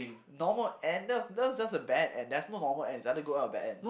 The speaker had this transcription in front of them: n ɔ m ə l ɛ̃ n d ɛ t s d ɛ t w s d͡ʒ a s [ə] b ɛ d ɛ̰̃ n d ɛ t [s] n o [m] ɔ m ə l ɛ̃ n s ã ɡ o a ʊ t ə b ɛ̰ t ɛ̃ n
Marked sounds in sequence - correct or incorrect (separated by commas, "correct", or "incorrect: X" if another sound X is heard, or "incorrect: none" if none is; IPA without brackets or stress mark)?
correct, correct, incorrect: n